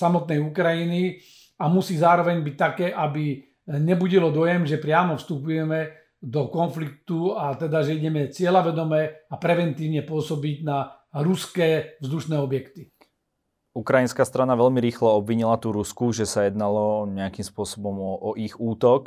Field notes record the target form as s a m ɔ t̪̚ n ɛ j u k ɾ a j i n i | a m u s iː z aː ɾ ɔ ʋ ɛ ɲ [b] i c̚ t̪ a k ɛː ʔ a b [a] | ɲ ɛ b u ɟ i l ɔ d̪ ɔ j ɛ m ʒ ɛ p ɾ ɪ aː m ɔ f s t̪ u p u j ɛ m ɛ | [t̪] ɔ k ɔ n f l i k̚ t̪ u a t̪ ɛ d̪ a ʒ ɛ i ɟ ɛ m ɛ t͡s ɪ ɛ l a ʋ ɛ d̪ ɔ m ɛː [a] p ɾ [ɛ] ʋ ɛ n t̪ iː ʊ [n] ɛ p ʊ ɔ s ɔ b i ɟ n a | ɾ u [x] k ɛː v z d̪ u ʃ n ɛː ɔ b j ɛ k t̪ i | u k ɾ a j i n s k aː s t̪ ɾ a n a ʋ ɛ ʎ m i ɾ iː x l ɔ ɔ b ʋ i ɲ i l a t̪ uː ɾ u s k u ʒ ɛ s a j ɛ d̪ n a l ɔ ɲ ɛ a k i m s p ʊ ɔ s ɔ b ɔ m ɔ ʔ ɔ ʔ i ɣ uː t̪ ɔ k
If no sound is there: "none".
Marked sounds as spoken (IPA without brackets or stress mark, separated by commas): b, i, d̪, a, ɛ, ɲ, s